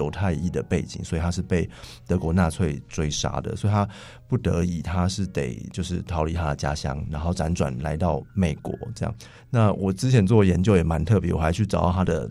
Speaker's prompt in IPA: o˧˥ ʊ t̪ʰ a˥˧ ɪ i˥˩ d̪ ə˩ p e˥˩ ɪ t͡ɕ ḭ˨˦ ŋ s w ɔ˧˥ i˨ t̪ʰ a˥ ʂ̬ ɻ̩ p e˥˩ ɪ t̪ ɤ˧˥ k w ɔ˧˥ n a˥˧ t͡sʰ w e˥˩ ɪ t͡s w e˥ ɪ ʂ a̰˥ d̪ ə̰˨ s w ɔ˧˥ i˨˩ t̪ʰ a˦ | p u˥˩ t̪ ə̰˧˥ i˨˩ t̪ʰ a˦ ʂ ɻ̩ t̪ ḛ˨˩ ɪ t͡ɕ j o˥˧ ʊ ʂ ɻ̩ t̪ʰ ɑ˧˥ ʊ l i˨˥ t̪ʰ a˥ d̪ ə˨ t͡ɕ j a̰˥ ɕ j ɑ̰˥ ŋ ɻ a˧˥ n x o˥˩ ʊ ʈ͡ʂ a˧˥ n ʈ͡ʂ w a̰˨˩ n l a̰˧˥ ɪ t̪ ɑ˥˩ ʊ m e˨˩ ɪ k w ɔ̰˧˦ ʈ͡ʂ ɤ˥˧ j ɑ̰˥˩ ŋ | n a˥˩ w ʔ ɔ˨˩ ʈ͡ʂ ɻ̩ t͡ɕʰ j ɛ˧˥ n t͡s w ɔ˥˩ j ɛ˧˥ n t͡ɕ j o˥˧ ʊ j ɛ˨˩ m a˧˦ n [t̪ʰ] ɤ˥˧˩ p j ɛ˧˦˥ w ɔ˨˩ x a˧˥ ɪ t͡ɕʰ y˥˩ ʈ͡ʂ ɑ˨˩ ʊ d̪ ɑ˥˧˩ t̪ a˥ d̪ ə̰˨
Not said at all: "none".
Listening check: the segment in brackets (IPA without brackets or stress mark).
t̪ʰ